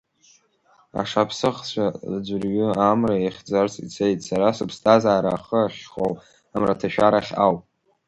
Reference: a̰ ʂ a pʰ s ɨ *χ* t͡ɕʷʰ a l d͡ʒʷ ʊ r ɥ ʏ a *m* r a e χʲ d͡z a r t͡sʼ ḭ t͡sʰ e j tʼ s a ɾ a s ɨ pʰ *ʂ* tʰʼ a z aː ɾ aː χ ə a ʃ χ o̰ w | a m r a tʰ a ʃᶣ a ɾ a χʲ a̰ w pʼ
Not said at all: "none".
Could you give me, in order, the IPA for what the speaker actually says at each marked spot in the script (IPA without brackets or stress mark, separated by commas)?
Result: χ, m, s